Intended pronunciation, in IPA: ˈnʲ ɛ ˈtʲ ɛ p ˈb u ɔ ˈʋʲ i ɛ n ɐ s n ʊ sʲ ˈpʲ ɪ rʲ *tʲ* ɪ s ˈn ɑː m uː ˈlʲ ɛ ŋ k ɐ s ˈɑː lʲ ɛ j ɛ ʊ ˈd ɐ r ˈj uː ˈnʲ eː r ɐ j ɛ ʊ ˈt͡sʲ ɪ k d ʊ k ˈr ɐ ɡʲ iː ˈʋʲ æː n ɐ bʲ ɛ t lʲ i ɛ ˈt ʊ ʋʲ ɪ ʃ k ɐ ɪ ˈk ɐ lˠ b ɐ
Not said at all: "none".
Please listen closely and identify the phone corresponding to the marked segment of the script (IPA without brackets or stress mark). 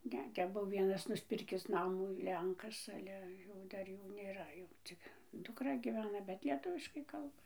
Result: kʲ